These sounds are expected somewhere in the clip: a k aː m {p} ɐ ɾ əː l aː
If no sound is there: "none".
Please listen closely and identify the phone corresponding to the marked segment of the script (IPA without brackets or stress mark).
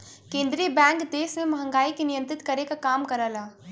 k